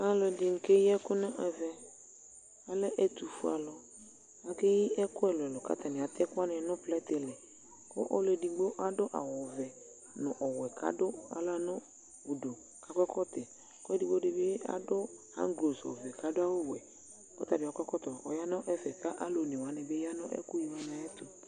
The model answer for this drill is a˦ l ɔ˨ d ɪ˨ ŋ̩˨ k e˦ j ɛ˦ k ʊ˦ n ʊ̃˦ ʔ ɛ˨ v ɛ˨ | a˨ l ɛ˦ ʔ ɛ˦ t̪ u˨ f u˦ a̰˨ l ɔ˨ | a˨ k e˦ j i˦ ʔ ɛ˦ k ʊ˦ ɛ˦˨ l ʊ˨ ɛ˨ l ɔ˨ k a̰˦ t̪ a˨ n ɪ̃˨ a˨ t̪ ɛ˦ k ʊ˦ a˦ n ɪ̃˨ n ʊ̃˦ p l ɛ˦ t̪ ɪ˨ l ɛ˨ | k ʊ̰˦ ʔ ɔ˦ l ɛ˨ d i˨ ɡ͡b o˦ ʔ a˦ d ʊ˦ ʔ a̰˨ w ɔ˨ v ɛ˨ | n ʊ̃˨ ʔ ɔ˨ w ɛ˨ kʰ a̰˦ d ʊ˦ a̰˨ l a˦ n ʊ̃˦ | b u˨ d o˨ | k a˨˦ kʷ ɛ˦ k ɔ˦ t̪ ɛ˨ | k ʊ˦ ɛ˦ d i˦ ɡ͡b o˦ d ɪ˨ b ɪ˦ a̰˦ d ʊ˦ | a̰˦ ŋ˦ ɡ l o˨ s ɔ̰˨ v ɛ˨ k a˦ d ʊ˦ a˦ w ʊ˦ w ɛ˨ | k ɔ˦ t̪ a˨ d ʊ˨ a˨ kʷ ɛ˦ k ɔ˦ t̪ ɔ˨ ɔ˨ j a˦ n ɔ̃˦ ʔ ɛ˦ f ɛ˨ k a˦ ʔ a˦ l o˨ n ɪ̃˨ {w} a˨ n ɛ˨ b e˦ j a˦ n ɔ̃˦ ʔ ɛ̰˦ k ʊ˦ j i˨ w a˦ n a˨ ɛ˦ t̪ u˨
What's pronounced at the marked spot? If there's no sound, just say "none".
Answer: w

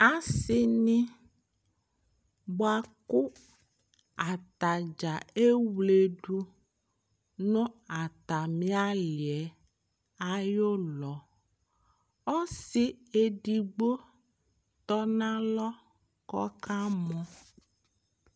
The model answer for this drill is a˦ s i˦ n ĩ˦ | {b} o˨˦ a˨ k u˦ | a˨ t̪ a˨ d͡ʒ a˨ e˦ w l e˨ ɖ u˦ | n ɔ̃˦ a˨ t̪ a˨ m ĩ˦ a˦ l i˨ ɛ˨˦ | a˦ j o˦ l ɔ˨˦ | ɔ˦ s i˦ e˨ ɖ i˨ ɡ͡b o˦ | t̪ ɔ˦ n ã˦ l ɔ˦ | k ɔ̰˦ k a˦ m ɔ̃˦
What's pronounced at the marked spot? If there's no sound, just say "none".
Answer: b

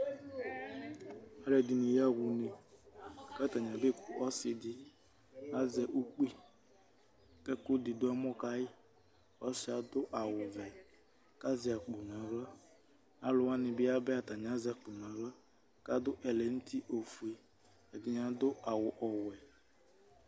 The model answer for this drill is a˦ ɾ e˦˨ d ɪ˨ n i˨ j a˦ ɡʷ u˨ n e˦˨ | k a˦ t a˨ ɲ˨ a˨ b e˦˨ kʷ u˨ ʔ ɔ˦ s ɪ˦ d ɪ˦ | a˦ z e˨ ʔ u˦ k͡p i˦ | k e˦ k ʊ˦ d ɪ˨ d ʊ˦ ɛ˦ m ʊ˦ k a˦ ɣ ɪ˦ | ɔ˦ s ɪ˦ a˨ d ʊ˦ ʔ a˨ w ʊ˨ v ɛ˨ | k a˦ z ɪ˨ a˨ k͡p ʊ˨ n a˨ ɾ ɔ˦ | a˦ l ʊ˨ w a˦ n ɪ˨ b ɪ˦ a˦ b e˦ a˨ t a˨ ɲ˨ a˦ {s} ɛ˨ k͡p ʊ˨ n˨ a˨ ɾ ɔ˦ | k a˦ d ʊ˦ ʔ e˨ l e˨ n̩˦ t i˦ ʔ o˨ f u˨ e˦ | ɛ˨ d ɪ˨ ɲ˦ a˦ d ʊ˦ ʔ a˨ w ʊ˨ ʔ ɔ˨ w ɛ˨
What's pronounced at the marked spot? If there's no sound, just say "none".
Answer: z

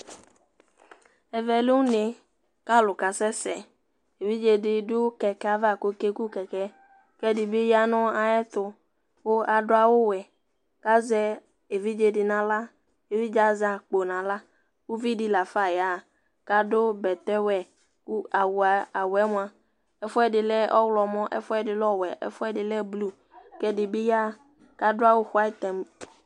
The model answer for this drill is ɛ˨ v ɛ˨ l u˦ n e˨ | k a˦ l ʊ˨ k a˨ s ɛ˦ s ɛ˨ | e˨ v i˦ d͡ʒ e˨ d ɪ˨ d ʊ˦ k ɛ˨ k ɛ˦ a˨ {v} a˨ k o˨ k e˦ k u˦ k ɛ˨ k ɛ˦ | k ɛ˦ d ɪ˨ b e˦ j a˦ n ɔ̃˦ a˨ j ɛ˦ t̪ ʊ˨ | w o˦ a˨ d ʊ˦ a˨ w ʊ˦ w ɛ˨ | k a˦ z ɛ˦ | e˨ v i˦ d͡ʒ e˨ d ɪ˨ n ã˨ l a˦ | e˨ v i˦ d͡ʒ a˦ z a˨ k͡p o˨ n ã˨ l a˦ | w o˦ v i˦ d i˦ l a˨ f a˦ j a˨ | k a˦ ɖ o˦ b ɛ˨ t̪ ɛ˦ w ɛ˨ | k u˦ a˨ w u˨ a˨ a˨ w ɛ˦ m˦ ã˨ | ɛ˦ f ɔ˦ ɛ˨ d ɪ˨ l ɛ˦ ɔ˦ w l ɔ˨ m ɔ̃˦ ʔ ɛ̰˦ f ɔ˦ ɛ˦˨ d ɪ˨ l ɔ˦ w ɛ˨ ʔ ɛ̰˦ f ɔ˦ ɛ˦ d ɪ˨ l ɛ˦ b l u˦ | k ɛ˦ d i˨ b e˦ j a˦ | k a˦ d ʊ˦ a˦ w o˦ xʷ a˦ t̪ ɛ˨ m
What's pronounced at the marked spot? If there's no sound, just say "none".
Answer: v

